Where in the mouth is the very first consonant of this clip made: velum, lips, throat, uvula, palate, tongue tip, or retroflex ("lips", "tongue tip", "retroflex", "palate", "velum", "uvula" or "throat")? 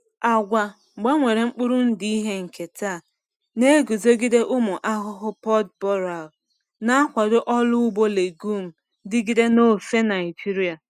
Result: velum